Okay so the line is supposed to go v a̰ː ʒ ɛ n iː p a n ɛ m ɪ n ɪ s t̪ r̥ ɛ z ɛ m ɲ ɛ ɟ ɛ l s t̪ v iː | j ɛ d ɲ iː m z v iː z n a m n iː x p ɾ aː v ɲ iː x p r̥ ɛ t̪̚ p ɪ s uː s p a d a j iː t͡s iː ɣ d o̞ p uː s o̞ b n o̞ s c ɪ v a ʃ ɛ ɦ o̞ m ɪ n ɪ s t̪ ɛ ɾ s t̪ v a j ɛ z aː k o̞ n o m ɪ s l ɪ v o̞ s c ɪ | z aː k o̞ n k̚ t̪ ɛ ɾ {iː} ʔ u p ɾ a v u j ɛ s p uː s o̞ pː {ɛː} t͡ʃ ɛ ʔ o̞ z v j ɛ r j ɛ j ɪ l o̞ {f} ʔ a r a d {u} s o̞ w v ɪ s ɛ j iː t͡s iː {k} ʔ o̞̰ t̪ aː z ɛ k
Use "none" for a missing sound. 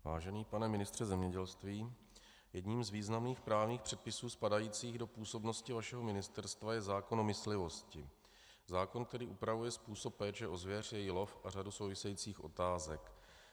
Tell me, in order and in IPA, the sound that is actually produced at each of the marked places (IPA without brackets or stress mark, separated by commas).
iː, ɛː, f, u, x